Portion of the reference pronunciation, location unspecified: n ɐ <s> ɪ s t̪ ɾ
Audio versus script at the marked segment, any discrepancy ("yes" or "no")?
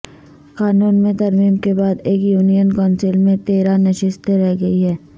yes